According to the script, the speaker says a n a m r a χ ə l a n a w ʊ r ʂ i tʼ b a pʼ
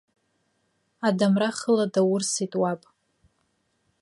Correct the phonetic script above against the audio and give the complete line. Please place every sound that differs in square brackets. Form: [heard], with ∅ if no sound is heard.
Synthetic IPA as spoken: a [d] a m r a χ ə l a [d] a w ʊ r [s] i tʼ [w] a pʼ